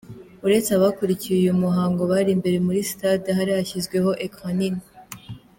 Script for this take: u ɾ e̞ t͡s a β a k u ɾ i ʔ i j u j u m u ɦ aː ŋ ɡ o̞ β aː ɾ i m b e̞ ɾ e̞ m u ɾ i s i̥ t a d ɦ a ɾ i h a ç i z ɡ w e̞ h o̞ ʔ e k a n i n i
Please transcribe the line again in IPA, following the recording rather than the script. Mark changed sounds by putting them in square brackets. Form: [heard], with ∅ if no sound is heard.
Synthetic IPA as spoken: u ɾ e̞ t͡s a β a k u ɾ i [c] i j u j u m u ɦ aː ŋ ɡ o̞ β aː ɾ i m b e̞ ɾ e̞ m u ɾ i s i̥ t a d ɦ a ɾ i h a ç i z ɡ w e̞ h o̞ ʔ e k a n i n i